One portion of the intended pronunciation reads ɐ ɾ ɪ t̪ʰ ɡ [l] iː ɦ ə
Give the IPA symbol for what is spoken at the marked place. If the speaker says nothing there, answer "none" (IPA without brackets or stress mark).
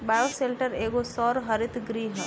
ɾ